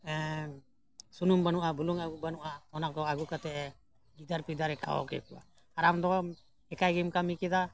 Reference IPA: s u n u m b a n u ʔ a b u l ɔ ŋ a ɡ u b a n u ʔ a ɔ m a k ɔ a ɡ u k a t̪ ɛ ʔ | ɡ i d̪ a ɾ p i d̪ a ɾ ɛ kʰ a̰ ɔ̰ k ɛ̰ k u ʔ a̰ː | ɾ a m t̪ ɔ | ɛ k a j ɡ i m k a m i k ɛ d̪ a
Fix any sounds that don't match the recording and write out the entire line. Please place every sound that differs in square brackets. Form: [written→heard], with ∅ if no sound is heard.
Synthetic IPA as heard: s u n u m b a n u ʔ a b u l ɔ ŋ a ɡ u b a n u ʔ a ɔ [m→n] a k ɔ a ɡ u k a t̪ ɛ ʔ | ɡ i d̪ a ɾ p i d̪ a ɾ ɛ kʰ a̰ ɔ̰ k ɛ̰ k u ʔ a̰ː | ɾ a m [t̪→d̪] ɔ | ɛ k a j ɡ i m k a m i k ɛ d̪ a